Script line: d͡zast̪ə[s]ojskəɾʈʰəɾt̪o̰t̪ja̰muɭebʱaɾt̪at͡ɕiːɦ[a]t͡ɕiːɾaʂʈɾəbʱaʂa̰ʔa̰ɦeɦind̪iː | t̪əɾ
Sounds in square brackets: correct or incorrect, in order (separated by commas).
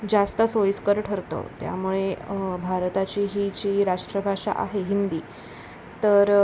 correct, incorrect